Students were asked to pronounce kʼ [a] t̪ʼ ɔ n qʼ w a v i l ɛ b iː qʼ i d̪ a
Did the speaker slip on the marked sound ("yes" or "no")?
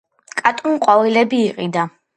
no